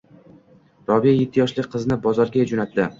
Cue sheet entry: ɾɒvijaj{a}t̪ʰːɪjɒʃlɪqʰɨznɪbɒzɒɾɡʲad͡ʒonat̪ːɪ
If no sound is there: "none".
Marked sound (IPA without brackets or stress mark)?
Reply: e